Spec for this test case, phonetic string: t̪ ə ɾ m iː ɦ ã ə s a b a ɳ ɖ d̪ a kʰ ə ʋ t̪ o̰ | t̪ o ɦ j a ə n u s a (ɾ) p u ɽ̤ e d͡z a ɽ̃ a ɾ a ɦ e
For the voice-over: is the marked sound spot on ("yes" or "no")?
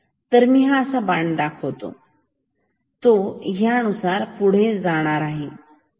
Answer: yes